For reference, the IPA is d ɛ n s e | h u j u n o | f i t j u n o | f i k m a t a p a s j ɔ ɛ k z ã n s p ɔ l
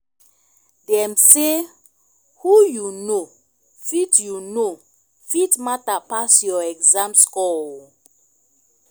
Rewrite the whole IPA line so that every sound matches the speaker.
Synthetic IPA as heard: d ɛ m s e | h u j u n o | f i t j u n o | f i t m a t a p a s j ɔ ɛ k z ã m s k ɔ l